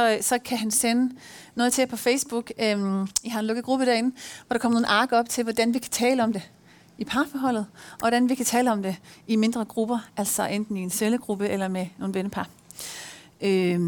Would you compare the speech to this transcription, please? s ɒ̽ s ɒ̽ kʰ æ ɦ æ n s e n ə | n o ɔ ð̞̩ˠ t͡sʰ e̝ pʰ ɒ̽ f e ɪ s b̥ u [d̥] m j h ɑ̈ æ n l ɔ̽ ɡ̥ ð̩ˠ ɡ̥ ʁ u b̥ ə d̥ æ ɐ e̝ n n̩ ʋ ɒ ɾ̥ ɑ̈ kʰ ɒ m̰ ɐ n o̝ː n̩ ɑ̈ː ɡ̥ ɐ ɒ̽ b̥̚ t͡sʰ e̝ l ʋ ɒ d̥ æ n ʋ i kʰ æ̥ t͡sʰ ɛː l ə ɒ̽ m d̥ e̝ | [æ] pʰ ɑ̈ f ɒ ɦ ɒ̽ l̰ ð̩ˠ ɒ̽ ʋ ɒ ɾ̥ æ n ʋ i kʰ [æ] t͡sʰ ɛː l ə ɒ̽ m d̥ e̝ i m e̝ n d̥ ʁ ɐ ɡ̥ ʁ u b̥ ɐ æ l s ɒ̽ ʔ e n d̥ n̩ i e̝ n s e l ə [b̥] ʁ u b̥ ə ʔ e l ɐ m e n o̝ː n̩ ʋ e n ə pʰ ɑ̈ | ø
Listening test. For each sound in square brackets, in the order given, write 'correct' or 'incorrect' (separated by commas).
incorrect, incorrect, correct, incorrect